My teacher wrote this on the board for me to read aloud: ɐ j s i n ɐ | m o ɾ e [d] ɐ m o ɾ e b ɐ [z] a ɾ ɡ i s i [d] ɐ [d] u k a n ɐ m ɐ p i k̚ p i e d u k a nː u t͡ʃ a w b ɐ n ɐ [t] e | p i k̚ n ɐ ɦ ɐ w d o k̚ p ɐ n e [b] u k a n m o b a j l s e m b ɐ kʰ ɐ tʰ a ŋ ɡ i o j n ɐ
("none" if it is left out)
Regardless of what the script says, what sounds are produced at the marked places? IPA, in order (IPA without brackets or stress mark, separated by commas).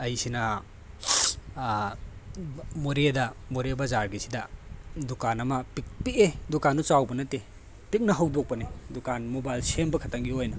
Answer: d, z, d, d, t, d